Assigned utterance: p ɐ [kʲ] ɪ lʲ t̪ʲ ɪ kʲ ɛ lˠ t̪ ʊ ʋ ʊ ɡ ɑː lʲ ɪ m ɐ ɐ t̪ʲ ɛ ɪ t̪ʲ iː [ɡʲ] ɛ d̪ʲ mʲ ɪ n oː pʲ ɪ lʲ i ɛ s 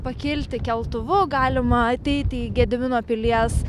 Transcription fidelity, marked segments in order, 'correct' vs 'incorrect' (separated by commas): correct, correct